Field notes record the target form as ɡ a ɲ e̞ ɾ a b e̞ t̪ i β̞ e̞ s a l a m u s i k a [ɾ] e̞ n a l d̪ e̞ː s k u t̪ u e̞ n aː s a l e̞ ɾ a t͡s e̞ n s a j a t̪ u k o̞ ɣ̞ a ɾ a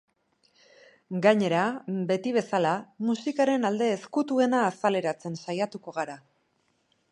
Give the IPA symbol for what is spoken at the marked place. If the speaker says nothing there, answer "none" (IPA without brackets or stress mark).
ɾ